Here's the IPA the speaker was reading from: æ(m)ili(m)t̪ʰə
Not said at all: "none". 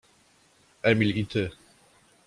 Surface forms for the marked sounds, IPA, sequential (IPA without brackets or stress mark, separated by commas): m, none